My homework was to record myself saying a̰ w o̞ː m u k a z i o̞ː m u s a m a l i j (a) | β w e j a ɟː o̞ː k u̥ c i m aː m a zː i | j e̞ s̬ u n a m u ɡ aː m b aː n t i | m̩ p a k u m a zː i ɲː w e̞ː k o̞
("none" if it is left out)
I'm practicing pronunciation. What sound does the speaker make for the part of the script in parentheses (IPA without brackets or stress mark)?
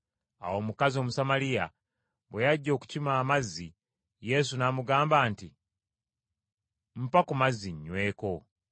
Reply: a